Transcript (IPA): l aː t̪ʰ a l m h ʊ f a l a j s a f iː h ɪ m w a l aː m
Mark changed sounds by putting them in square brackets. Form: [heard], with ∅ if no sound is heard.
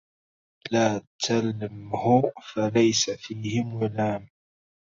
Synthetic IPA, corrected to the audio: l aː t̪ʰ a l m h ʊ f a l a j s a f iː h ɪ m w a l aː m

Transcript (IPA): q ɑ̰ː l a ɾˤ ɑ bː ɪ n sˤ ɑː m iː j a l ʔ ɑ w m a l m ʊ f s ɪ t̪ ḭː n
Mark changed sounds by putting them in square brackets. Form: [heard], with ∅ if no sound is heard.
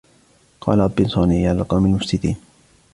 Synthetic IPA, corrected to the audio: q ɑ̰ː l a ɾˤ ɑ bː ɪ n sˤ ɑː [n] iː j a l [q] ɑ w m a l m ʊ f s ɪ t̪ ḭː n

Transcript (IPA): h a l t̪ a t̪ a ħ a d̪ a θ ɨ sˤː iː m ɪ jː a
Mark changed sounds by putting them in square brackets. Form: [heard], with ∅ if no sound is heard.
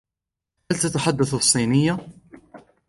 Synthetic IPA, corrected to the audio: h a l t̪ a t̪ a ħ a [d̪ː] a θ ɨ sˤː iː [n] ɪ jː a

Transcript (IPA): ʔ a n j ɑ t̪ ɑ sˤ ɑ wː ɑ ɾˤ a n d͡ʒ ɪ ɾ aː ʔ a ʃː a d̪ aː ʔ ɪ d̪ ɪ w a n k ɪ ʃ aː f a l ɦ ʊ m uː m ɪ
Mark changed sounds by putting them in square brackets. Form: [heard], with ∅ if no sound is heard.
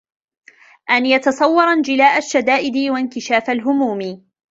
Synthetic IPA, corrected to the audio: ʔ a n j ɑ t̪ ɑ sˤ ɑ wː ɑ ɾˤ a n d͡ʒ ɪ [l] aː ʔ a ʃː a d̪ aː ʔ ɪ d̪ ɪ w a n k ɪ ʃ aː f a l ɦ ʊ m uː m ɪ

